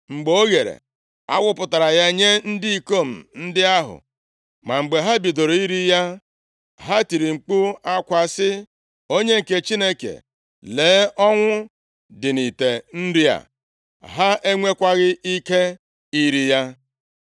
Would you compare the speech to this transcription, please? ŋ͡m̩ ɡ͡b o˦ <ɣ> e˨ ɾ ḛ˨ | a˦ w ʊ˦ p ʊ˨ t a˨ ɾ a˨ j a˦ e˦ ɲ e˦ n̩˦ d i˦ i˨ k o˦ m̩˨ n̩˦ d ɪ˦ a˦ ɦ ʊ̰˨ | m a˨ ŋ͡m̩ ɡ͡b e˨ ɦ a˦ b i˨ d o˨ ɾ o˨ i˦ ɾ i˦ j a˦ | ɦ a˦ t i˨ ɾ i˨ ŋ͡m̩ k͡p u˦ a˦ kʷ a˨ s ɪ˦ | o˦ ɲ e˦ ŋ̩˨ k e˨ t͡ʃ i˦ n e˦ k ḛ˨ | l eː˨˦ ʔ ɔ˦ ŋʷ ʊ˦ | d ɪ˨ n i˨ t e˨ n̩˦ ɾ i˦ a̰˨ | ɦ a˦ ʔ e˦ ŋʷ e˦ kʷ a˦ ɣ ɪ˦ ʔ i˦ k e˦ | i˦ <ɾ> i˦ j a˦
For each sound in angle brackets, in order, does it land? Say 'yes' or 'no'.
yes, yes

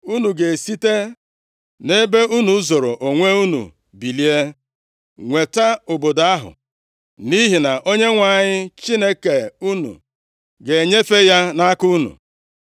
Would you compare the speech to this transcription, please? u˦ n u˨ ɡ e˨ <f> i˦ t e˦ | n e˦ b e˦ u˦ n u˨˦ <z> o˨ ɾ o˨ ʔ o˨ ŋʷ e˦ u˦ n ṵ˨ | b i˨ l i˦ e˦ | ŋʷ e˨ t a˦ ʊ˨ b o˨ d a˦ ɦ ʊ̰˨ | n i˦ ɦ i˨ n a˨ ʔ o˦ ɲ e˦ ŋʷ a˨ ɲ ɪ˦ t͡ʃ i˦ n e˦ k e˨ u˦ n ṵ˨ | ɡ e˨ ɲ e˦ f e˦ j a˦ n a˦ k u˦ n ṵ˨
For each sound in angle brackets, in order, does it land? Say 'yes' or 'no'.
no, yes

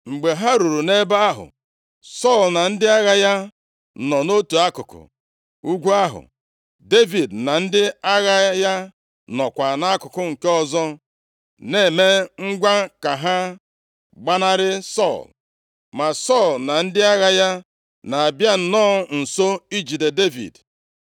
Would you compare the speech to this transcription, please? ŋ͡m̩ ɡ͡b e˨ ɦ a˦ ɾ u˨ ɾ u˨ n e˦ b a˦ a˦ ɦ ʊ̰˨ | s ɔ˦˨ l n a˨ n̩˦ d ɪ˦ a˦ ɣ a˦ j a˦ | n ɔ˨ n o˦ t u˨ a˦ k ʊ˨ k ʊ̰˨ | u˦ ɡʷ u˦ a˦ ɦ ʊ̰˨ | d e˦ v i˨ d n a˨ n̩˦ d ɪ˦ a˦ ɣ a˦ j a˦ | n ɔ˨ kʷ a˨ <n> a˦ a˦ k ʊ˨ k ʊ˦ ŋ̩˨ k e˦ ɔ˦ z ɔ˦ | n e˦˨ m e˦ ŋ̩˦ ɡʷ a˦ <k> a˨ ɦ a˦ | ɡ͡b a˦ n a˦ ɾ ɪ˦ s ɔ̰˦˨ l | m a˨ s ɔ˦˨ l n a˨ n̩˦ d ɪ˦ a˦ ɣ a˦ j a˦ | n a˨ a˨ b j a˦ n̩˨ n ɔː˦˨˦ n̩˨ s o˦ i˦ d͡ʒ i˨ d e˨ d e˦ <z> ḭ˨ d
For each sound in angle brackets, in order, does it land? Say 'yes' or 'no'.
yes, yes, no

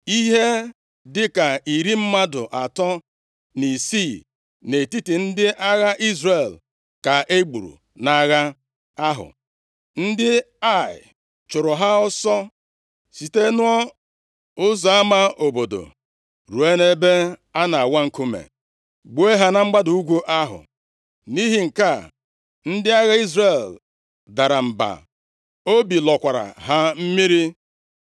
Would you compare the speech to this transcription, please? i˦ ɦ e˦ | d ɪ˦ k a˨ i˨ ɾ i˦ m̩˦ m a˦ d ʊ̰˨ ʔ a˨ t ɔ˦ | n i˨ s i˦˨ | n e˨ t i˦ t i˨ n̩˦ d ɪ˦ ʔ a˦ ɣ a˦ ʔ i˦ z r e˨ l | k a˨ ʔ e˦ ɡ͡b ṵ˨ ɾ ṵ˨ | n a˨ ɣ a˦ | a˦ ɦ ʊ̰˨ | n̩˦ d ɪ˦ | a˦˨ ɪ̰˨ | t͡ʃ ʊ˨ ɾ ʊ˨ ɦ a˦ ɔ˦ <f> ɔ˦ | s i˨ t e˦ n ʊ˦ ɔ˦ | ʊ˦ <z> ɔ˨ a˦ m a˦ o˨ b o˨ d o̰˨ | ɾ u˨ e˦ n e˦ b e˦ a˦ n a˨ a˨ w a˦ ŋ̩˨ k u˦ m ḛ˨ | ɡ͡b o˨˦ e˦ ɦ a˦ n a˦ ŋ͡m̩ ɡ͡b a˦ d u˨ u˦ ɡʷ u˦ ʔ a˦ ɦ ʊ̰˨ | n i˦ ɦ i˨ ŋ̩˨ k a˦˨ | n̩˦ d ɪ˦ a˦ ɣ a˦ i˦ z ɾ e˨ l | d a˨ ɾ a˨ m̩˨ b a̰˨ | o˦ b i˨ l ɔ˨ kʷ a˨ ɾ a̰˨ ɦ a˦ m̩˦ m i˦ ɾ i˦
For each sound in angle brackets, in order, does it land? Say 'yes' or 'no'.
no, yes

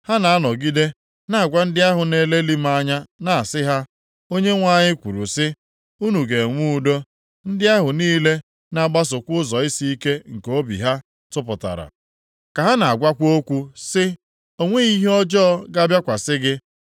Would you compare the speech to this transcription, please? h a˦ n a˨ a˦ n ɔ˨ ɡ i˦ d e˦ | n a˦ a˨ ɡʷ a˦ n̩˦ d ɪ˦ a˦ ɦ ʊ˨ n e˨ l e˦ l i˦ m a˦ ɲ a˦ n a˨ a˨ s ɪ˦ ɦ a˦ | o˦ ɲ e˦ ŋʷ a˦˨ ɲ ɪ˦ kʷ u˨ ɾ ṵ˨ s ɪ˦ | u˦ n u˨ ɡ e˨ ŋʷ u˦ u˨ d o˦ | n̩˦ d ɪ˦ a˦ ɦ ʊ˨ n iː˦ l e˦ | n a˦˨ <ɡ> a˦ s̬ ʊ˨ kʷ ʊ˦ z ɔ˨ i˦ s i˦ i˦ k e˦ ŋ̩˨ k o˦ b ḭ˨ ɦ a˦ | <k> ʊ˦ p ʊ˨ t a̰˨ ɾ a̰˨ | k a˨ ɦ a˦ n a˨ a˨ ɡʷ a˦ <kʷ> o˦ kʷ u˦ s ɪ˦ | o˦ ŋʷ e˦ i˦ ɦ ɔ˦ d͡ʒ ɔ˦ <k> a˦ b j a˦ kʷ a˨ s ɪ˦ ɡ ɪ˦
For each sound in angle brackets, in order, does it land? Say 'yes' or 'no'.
no, no, yes, no

